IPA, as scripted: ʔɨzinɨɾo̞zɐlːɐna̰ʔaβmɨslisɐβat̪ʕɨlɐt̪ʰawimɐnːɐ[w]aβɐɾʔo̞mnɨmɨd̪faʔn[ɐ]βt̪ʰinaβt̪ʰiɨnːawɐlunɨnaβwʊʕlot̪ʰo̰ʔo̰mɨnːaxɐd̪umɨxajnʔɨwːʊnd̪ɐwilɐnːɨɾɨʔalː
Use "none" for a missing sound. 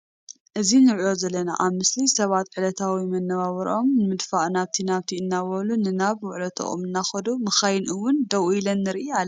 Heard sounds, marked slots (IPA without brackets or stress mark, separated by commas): β, a